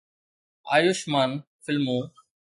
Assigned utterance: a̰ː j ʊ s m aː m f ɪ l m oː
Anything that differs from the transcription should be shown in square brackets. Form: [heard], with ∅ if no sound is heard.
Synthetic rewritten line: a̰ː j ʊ [ʃ] m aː [n] f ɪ l m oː